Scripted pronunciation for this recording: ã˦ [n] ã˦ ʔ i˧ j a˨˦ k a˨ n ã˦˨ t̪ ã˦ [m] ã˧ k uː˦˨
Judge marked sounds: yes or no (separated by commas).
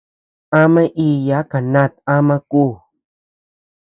no, yes